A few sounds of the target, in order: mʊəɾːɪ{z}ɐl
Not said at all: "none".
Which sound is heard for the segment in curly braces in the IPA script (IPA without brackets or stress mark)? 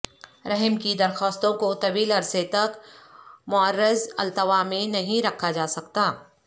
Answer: z